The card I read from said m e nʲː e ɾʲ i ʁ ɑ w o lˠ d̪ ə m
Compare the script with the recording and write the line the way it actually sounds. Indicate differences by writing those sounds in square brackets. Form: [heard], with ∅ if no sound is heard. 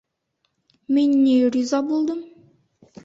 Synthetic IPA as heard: m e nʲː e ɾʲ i [z] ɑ [b] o lˠ d̪ ə m